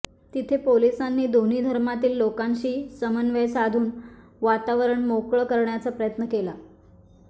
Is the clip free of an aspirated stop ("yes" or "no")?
no